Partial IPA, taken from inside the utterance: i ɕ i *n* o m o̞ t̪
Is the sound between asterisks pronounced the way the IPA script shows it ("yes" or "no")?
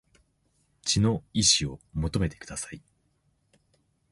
no